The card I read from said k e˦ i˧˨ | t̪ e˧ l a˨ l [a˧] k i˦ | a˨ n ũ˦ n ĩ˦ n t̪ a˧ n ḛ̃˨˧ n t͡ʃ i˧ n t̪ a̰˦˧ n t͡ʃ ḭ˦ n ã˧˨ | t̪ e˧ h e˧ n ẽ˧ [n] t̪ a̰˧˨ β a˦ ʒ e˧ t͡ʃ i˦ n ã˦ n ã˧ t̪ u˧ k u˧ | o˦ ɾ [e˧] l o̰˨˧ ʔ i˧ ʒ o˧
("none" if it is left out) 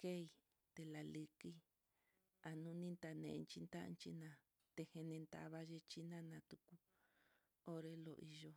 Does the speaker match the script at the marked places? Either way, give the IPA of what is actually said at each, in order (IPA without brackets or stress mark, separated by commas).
i˧, n, e˧